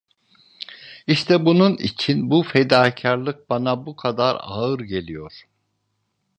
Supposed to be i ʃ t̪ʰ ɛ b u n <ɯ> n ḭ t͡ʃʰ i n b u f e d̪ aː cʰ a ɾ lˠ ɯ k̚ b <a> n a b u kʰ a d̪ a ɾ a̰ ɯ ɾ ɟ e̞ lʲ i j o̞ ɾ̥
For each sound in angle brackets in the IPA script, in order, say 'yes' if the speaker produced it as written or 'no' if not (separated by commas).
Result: no, yes